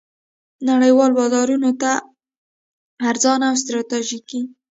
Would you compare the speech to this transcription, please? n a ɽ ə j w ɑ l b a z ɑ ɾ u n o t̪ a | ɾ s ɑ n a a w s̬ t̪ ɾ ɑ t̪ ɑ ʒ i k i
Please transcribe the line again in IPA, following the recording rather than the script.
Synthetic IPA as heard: n a ɽ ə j w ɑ l b ɑ z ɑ ɾ u n o t̪ a | ɾ z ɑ n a a w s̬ t̪ ɾ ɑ t̪ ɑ ʒ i k i